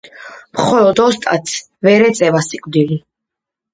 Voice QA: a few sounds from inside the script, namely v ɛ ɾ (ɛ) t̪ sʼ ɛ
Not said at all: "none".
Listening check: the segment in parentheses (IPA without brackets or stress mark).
ɛ